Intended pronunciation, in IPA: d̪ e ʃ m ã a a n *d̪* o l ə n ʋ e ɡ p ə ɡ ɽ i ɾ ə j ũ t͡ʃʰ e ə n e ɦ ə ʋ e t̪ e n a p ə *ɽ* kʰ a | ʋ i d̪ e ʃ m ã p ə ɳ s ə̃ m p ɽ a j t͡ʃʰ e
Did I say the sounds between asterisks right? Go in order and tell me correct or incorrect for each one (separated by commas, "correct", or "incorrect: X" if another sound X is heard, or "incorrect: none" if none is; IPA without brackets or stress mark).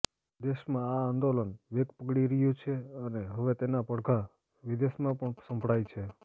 correct, correct